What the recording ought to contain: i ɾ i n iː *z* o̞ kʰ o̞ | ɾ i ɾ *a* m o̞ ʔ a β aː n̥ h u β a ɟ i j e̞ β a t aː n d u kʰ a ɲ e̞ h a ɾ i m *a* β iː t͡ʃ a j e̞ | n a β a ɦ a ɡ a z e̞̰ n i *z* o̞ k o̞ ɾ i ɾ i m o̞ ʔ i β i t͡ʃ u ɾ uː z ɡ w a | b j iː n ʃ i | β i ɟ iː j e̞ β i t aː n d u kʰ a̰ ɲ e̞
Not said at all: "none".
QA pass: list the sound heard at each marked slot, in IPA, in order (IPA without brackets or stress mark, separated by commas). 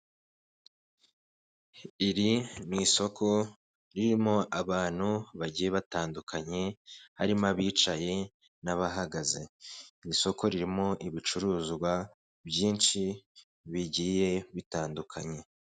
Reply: s, i, a, s